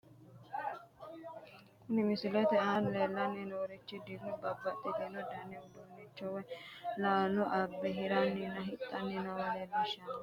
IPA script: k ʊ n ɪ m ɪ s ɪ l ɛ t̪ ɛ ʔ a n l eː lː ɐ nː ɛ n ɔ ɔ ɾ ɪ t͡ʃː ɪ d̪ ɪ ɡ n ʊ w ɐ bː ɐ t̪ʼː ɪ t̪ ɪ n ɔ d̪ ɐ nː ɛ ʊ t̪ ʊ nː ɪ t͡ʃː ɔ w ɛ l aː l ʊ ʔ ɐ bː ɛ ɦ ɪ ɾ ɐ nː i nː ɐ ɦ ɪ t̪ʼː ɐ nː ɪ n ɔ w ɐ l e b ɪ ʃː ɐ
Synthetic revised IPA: k ʊ n ɪ m ɪ s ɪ l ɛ t̪ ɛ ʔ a n l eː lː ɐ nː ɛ n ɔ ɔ ɾ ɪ t͡ʃː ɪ d̪ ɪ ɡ n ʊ b ɐ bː ɐ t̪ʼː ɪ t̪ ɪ n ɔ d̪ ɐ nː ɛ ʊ d̪ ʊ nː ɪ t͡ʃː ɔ w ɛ l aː l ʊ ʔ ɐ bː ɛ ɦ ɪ ɾ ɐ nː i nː ɐ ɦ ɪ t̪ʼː ɐ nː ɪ n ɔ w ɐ l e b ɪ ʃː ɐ